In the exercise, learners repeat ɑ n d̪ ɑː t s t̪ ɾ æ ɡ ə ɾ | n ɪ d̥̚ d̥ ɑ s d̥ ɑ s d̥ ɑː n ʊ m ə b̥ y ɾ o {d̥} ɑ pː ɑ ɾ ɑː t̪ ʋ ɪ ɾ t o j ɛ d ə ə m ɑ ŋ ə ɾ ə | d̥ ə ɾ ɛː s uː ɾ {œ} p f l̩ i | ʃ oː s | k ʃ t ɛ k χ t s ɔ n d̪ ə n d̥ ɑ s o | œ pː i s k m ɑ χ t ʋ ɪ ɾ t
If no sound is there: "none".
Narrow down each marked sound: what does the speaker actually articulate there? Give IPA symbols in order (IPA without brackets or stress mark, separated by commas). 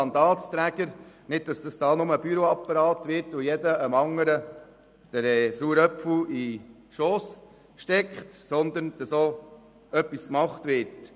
none, œ